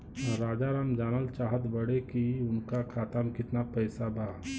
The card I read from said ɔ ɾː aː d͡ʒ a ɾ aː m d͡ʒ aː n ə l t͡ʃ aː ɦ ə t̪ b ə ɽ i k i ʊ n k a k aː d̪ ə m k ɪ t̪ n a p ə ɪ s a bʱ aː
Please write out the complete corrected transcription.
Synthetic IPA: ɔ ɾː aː d͡ʒ a ɾ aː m d͡ʒ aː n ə l t͡ʃ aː ɦ ə t̪ b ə ɽ e k i ʊ n k a kʰ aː t̪ ə m k ɪ t̪ n a p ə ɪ s a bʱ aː

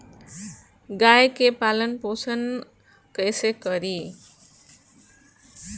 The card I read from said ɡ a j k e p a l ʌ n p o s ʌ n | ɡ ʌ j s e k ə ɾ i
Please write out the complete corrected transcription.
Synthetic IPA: ɡ a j k e p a l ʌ n p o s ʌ n | k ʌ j s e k ʌ ɾ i

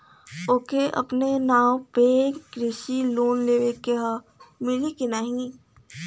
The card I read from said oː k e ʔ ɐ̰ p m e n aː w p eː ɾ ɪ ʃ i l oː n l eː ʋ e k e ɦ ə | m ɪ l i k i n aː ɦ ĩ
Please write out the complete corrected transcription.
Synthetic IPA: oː k e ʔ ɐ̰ p n e n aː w p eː ɾ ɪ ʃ i l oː n l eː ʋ e k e ɦ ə | m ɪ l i k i n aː ɦ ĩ

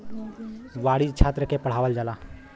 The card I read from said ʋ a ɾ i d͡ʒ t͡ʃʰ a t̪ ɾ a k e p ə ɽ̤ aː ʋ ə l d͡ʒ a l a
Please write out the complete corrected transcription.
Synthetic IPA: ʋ a ɽ i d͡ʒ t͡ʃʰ a t̪ ɾ ə k e p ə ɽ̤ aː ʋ ə l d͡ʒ a l a

